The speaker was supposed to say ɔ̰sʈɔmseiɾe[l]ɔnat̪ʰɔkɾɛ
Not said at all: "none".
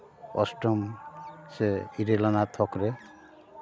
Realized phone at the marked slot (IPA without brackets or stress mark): l